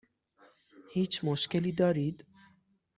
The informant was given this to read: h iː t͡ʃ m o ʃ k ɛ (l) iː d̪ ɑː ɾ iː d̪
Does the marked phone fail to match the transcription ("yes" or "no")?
no